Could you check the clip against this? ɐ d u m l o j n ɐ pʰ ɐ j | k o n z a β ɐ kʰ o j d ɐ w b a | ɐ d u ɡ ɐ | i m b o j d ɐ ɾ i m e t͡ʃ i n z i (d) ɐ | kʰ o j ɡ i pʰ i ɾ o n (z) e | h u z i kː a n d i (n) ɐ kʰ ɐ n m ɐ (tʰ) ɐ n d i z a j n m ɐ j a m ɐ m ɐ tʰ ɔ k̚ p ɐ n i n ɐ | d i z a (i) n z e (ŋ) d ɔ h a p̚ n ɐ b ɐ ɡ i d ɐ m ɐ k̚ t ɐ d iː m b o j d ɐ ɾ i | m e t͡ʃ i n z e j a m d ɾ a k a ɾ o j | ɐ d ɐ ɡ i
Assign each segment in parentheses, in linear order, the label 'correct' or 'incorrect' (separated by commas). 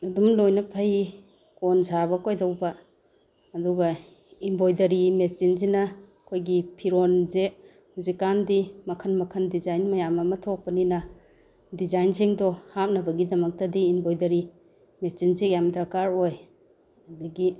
incorrect, correct, incorrect, incorrect, incorrect, correct